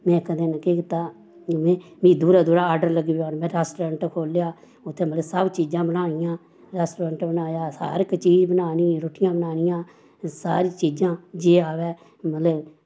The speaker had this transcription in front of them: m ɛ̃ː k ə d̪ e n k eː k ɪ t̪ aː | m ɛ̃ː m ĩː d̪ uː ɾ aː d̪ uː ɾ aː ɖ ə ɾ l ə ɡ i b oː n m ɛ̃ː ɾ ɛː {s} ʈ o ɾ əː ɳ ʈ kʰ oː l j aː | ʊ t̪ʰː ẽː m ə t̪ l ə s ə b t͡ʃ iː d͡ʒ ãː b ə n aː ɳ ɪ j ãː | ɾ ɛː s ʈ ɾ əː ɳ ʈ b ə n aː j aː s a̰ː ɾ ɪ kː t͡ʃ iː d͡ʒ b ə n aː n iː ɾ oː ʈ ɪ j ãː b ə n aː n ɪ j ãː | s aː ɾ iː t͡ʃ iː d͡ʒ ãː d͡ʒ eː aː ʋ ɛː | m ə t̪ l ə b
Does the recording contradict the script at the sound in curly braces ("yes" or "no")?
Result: no